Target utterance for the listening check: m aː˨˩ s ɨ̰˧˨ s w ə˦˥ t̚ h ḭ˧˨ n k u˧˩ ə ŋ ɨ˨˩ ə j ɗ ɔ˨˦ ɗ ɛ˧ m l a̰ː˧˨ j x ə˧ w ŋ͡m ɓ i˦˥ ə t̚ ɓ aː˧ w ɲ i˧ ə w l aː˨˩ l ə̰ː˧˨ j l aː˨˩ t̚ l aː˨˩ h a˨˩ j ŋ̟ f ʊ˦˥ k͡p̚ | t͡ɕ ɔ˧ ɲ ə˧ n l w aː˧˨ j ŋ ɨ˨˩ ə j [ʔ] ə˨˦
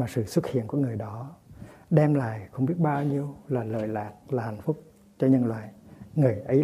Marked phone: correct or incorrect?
correct